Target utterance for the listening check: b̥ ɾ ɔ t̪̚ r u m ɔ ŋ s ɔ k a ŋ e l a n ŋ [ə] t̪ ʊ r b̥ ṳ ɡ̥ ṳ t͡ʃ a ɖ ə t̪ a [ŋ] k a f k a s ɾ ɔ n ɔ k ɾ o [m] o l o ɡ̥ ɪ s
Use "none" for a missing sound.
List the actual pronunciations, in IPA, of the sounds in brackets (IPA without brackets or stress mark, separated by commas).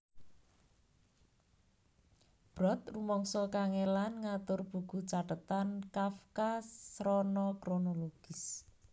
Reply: a, n, n